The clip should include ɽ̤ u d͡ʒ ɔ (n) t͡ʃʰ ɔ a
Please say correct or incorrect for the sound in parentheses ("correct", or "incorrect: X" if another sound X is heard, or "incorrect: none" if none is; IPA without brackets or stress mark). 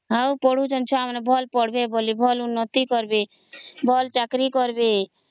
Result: correct